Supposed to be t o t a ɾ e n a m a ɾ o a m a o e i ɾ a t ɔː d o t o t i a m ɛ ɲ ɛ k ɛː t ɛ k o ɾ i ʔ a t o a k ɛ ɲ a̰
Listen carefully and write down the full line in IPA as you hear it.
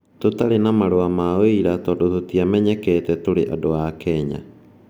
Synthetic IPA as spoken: t o t a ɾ e n a m a ɾ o a m a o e i ɾ a t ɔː d o t o t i a m ɛ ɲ ɛ k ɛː t ɛ t o ɾ e ʔ a d o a k ɛ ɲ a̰